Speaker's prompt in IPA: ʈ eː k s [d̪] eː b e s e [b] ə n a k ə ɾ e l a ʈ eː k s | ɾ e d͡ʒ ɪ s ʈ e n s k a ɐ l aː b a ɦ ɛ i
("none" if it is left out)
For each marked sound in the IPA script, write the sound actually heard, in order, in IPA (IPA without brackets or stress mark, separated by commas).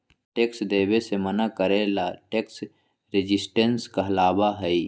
d̪, m